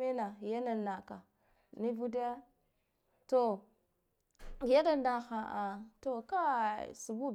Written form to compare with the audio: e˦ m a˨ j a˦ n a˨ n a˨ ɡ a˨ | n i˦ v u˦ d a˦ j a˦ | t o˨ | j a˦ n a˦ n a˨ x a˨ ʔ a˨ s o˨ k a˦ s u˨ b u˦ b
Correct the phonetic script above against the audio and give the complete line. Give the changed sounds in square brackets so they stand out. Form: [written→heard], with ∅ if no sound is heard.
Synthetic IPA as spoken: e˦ [m→n] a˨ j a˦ n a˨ n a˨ [ɡ→k] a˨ | n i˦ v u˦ d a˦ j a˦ | t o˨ | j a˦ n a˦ n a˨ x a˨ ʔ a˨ [s→t] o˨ k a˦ s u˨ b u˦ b

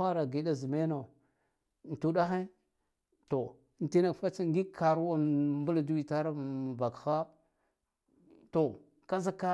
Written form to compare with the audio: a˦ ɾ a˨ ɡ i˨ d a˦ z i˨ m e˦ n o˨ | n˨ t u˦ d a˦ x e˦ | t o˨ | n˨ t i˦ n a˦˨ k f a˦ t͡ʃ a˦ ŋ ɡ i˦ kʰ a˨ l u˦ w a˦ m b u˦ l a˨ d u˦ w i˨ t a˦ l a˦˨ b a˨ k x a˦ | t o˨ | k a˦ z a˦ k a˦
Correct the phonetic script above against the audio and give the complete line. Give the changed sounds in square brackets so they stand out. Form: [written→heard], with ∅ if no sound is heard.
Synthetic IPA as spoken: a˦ ɾ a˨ ɡ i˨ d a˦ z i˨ m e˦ n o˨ | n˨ t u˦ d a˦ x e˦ | t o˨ | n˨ t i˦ n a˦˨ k f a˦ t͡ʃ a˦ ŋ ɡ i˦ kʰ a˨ [l→ɾ] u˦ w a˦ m b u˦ l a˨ d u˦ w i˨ t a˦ [l→ɾ] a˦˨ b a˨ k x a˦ | t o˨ | k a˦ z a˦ k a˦

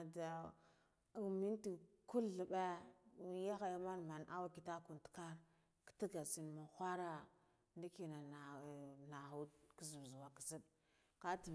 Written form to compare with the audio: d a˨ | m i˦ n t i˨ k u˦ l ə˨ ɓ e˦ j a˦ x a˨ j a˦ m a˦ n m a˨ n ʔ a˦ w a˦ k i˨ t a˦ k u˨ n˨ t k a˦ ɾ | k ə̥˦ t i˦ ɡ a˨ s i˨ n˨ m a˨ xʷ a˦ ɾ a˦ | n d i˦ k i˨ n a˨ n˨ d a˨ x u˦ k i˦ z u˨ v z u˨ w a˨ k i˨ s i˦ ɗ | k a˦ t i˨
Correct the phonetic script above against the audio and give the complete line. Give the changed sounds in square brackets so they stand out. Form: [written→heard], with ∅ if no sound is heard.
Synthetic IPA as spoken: d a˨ | m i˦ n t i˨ k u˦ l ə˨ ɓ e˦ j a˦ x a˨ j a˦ m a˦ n m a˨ n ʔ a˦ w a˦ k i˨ t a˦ k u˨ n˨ t k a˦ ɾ | k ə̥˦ t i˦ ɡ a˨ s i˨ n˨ m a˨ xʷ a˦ ɾ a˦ | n d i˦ k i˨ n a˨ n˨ [d→n] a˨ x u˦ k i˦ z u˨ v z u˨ w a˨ k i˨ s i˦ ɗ | k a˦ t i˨

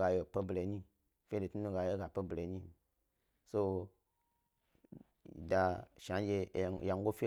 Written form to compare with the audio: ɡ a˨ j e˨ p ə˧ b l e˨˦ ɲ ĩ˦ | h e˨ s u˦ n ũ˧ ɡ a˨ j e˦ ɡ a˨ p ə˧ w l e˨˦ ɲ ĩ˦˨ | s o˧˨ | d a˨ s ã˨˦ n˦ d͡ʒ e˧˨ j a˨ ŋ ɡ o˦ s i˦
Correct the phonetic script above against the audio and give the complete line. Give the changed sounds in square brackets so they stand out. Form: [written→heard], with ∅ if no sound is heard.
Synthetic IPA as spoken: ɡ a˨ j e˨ p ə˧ b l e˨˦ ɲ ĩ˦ | [h→f] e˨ [s→t] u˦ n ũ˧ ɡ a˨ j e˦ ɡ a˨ p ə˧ [w→b] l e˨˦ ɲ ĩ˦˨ | s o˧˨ | d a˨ [s→ʃ] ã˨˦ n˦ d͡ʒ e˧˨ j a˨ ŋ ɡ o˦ [s→f] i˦

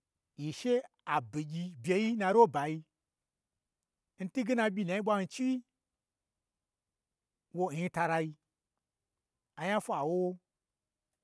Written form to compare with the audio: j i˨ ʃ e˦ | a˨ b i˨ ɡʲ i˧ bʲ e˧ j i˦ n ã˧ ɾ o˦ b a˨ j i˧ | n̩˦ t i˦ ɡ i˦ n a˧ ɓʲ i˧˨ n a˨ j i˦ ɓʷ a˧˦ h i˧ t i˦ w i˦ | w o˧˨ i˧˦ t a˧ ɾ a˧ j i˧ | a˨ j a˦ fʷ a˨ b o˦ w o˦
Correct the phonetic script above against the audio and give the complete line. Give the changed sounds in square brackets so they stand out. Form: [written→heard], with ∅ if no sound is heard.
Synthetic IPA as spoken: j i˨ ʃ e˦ | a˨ b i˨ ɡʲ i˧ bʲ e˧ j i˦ n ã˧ ɾ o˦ b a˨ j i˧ | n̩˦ t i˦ ɡ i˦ n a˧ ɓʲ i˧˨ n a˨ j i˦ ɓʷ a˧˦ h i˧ [t→t͡ʃ] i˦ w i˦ | w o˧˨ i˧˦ t a˧ ɾ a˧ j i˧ | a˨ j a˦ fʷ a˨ [b→w] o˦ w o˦

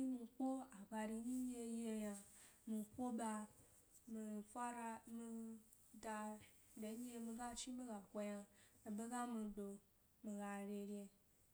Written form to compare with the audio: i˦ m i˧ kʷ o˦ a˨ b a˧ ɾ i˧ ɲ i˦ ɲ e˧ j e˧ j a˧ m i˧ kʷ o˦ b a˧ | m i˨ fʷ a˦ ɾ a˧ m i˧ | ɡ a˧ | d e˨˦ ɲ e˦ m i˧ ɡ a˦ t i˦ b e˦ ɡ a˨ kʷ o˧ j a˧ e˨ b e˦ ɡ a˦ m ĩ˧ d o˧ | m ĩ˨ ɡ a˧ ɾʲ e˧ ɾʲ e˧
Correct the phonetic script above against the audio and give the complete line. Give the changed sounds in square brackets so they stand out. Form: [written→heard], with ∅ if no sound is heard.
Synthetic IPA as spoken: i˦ m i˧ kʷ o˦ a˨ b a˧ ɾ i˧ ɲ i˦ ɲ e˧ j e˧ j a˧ m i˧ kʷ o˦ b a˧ | m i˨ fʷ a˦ ɾ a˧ m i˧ | [ɡ→d] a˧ | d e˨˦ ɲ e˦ m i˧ ɡ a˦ [t→t͡ʃ] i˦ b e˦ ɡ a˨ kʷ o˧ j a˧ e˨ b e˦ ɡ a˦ m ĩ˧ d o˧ | m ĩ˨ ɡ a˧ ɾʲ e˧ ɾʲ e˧

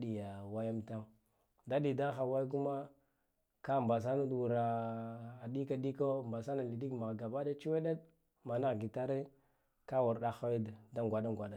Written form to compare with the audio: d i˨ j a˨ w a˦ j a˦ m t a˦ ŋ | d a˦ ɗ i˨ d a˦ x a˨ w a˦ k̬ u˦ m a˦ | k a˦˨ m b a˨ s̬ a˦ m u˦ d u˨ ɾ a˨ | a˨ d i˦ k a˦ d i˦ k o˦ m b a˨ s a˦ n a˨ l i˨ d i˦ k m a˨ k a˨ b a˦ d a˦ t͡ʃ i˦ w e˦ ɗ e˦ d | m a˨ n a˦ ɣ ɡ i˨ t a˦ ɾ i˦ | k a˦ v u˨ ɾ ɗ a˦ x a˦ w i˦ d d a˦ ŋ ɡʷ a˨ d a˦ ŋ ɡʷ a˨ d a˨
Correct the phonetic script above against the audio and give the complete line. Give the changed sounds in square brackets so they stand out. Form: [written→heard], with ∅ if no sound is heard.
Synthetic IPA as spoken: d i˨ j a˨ w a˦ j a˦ m t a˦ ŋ | d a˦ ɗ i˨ d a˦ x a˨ w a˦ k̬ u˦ m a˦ | k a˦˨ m b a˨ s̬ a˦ [m→n] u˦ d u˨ ɾ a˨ | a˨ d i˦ k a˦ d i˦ k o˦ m b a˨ s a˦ n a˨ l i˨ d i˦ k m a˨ [k→ɡ] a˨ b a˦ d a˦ t͡ʃ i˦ w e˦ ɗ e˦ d | m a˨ n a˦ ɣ ɡ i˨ t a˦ ɾ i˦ | k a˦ [v→w] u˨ ɾ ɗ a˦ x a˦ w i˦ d d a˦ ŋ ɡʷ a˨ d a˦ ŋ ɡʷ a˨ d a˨

